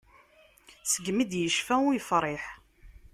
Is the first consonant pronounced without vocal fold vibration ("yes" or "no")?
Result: yes